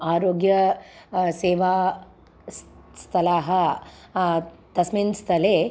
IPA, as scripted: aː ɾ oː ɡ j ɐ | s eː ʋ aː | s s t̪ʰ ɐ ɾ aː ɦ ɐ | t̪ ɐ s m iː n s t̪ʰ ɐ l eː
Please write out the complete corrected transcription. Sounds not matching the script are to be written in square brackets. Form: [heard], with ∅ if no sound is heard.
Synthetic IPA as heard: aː ɾ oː ɡ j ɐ | s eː ʋ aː | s s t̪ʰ ɐ [l] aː ɦ ɐ | t̪ ɐ s m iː n s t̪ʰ ɐ l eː